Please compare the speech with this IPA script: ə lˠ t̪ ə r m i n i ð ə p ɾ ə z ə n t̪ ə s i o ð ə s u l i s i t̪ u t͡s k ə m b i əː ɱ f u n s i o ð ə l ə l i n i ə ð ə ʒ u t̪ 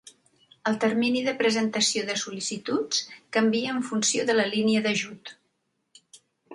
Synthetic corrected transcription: ə lˠ t̪ ə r m i n i ð ə p ɾ ə z ə n t̪ ə s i o ð ə s u l i s i t̪ u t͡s k ə m b i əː ɱ f u n s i o ð ə l ə l i n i ə ð ə ʒ u t̪